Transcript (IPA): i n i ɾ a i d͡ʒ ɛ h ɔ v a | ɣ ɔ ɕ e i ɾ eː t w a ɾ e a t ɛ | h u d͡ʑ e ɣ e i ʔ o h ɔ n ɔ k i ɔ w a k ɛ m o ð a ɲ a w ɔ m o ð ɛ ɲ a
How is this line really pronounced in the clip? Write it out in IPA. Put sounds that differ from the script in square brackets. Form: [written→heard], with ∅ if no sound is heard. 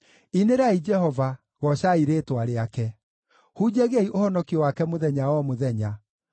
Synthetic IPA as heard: i n [i→e] ɾ a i d͡ʒ ɛ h ɔ v a | ɣ ɔ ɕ [e→a] i ɾ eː t w a ɾ e a [t→k] ɛ | h u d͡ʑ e ɣ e i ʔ o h ɔ n ɔ k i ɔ w a k ɛ m o ð [a→ɛ] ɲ a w ɔ m o ð ɛ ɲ a